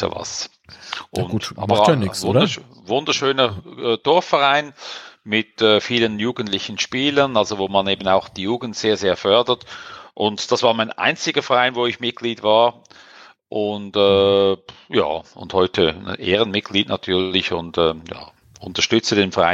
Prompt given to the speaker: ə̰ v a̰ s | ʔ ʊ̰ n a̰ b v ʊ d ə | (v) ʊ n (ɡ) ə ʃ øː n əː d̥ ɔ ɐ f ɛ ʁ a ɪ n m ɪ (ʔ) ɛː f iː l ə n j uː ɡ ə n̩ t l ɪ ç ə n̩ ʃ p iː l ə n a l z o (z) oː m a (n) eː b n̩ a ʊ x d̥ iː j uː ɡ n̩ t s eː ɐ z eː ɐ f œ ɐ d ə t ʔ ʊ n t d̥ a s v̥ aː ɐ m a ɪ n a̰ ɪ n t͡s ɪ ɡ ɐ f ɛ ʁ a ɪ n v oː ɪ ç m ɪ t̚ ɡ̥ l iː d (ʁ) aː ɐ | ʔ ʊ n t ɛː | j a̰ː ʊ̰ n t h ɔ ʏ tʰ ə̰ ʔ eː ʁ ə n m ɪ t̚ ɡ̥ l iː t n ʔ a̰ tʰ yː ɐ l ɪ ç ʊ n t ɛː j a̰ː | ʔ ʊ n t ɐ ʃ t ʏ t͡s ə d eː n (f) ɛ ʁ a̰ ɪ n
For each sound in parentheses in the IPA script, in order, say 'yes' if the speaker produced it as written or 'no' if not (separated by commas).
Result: yes, no, no, no, yes, no, yes